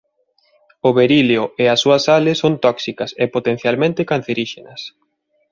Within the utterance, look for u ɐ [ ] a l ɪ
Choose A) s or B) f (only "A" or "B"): A